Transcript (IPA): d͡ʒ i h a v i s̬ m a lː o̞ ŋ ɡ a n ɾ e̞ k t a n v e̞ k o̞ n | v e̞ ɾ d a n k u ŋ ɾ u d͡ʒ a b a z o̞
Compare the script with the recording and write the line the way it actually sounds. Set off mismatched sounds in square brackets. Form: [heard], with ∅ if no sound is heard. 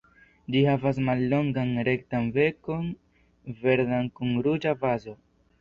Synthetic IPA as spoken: d͡ʒ i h a v [a] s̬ m a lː o̞ ŋ ɡ a n ɾ e̞ k t a n v e̞ k o̞ n | v e̞ ɾ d a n k u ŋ ɾ u d͡ʒ a [v] a z o̞

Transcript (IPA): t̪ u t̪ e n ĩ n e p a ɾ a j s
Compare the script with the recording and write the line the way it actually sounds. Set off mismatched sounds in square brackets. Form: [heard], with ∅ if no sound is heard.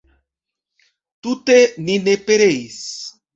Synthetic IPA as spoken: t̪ u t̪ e n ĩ n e p [e] ɾ [e] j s

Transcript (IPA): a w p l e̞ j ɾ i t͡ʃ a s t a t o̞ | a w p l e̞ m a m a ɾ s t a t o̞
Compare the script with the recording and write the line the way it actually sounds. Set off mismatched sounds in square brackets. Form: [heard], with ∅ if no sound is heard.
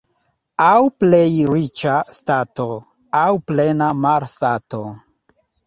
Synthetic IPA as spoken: a w p l e̞ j ɾ i t͡ʃ a s t a t o̞ | a w p l e̞ [n] a m a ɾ s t a t o̞

